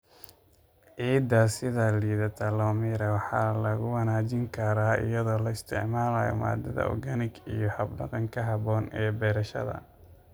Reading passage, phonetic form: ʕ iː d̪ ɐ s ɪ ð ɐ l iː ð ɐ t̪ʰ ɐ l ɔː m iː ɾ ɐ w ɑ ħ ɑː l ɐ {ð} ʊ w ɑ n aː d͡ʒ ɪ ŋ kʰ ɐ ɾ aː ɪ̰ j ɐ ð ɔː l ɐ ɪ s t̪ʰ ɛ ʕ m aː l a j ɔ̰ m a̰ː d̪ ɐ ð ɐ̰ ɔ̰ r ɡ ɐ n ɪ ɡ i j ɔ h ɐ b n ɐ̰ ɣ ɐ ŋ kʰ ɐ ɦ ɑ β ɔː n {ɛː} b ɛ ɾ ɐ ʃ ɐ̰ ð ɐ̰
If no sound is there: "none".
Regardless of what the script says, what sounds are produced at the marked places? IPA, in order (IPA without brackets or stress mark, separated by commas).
ɣ, ɛː